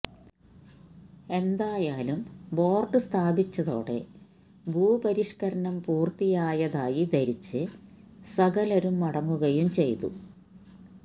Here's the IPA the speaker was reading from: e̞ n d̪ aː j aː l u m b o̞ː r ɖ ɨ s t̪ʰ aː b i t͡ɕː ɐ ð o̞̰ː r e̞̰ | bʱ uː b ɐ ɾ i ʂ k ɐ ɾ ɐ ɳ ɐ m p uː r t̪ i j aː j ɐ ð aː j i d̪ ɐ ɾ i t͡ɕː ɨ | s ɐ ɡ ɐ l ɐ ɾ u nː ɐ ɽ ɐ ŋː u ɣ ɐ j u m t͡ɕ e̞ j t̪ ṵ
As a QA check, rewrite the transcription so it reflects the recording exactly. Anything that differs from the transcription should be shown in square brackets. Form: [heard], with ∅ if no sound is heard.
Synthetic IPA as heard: e̞ n d̪ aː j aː l u m b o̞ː r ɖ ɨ s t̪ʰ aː b i t͡ɕː ɐ ð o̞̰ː [ɽ] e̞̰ | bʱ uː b ɐ ɾ i ʂ k ɐ ɾ ɐ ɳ ɐ m p uː r t̪ i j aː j ɐ ð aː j i d̪ ɐ ɾ i t͡ɕː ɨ | s ɐ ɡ ɐ l ɐ ɾ u [mː] ɐ ɽ ɐ ŋː u ɣ ɐ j u m t͡ɕ e̞ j t̪ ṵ